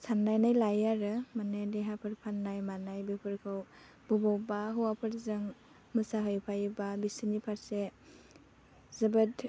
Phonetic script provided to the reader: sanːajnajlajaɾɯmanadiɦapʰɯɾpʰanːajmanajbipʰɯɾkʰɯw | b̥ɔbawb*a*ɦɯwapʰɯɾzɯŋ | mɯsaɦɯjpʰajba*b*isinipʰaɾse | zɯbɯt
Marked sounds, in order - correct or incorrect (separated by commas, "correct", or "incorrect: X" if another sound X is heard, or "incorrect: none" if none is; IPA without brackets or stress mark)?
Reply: correct, correct